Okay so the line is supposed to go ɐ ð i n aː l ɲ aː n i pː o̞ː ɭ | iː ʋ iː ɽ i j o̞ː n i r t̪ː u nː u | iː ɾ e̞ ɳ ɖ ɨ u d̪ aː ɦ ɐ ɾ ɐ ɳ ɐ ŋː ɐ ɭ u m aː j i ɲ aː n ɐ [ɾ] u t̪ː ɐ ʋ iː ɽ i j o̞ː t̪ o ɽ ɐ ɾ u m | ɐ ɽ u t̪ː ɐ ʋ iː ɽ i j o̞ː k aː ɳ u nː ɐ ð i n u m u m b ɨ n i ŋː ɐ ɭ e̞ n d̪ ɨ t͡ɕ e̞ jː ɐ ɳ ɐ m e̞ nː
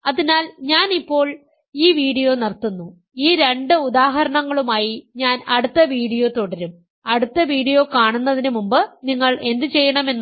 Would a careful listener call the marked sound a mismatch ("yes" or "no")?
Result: yes